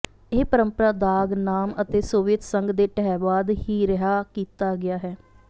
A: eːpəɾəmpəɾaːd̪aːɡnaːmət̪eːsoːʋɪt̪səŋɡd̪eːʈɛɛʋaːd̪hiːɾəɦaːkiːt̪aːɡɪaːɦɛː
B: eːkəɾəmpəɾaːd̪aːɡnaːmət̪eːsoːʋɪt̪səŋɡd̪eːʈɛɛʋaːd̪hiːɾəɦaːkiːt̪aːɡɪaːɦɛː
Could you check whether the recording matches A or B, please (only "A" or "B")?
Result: A